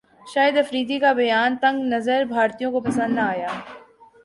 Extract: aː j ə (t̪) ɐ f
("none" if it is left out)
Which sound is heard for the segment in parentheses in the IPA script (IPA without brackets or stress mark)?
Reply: d̪